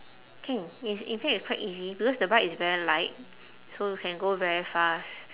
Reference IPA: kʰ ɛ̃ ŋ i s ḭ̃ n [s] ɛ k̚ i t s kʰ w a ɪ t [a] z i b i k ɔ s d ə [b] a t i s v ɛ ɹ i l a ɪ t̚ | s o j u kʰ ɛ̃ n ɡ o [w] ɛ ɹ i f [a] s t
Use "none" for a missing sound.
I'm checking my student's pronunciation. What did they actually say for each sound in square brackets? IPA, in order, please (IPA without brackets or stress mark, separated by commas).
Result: f, i, b, v, a